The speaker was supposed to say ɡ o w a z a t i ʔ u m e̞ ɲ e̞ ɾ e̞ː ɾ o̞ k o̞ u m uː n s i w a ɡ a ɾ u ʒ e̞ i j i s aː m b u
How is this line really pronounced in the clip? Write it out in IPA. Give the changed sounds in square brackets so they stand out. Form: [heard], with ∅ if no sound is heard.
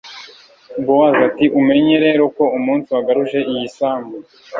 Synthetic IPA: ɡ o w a z a t i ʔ u m e̞ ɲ e̞ ɾ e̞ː ɾ o̞ k o̞ u m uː n s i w a ɡ a ɾ u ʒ e̞ i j i s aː m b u